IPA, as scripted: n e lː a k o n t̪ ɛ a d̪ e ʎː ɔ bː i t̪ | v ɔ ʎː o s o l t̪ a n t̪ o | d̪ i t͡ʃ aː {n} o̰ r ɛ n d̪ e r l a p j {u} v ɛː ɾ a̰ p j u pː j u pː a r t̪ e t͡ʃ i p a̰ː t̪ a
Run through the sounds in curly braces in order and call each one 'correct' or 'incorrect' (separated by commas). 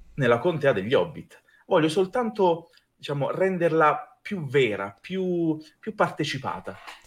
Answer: incorrect, correct